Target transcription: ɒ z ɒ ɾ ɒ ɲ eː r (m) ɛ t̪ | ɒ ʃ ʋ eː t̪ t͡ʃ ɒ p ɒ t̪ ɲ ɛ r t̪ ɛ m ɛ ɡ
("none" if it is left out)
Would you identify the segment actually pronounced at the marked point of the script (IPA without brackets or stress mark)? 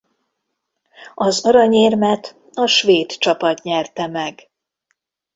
m